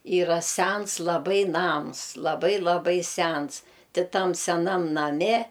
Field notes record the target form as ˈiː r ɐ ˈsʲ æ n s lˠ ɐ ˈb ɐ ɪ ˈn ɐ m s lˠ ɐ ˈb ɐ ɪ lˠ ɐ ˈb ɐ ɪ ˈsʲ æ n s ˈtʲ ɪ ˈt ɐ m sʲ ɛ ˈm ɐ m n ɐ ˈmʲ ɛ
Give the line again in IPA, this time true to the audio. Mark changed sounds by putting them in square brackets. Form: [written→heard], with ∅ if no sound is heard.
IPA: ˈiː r ɐ ˈsʲ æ n s lˠ ɐ ˈb ɐ ɪ ˈn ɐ m s lˠ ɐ ˈb ɐ ɪ lˠ ɐ ˈb ɐ ɪ ˈsʲ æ n s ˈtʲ ɪ ˈt ɐ m sʲ ɛ [ˈm→ˈn] ɐ m n ɐ ˈmʲ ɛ